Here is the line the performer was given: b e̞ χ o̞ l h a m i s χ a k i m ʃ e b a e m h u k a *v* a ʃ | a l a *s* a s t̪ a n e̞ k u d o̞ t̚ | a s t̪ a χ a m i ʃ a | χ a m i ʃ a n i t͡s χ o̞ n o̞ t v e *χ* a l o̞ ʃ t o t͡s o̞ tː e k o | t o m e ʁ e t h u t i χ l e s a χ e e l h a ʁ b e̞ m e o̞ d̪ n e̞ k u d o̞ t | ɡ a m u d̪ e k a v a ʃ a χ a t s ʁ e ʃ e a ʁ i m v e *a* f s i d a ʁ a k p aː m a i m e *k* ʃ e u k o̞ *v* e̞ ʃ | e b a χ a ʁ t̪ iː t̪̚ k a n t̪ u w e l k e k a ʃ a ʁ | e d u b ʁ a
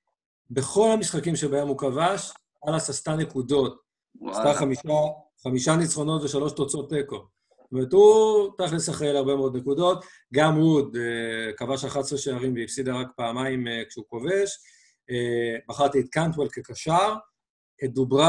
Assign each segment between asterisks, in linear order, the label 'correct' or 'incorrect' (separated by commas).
correct, correct, incorrect, incorrect, correct, correct